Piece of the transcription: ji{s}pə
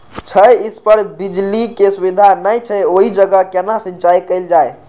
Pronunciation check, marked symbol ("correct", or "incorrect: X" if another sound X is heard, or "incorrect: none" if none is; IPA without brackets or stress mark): correct